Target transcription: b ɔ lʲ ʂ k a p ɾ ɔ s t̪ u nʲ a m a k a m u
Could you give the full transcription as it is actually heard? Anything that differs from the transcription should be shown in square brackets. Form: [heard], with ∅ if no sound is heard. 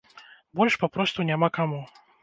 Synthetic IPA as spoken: b ɔ lʲ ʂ [p] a p ɾ ɔ s t̪ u nʲ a m a k a m u

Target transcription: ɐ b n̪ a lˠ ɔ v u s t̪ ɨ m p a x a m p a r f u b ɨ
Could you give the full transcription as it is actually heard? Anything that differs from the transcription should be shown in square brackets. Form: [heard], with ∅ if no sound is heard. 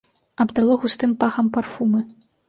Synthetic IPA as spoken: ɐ b [d̪] a lˠ ɔ [ɣ] u s t̪ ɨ m p a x [ɐ] m p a r f u [m] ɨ

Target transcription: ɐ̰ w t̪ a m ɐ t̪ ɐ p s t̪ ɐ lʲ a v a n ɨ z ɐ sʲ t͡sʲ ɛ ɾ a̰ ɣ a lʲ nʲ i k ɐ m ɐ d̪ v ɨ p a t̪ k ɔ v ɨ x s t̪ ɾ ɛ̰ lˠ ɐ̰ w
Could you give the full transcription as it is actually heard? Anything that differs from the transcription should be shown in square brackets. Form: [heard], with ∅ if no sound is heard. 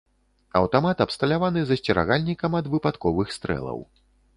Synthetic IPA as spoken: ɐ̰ w t̪ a m [a] t̪ ɐ p s t̪ ɐ lʲ a v a n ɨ z ɐ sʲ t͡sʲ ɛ ɾ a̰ ɣ a lʲ nʲ i k ɐ m ɐ d̪ v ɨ p a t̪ k ɔ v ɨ x s t̪ ɾ ɛ̰ lˠ ɐ̰ w

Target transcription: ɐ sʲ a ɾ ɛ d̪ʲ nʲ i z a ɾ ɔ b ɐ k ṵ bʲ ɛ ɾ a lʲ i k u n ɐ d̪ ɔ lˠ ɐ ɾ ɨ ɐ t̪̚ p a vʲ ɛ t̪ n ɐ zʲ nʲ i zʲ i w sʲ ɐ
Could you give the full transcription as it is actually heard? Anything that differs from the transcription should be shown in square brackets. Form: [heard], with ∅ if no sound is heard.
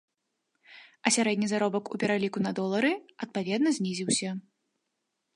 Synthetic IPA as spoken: ɐ sʲ a ɾ ɛ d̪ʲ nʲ i z a ɾ ɔ b ɐ k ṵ [pʲ] ɛ ɾ a lʲ i k u n ɐ d̪ ɔ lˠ ɐ ɾ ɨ ɐ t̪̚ p a vʲ ɛ [d̪] n ɐ zʲ nʲ i zʲ i w sʲ ɐ

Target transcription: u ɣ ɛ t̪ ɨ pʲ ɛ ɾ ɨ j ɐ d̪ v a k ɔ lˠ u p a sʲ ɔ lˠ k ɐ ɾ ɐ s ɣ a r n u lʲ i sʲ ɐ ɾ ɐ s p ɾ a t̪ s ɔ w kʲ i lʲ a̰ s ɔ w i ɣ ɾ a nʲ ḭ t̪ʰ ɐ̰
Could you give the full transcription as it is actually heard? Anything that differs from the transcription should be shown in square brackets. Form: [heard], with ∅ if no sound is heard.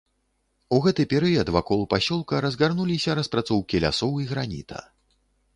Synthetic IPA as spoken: u ɣ ɛ t̪ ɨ pʲ ɛ ɾ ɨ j ɐ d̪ v a k ɔ lˠ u p a sʲ ɔ lˠ k ɐ ɾ ɐ [z] ɣ a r n u lʲ i sʲ ɐ ɾ ɐ s p ɾ a t̪ s ɔ w kʲ i lʲ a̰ s ɔ w i ɣ ɾ a nʲ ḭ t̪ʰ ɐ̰

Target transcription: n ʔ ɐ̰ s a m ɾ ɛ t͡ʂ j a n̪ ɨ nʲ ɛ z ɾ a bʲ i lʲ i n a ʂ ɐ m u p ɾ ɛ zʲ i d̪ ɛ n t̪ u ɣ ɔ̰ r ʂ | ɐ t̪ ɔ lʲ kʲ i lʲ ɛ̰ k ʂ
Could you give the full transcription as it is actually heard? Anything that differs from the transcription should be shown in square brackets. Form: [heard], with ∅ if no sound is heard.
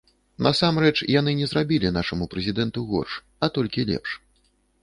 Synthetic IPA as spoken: n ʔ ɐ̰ s a m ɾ ɛ t͡ʂ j a n̪ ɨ nʲ ɛ z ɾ a bʲ i lʲ i n a ʂ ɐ m u p ɾ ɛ zʲ i d̪ ɛ n t̪ u ɣ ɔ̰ r ʂ | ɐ t̪ ɔ lʲ kʲ i lʲ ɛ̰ [p] ʂ

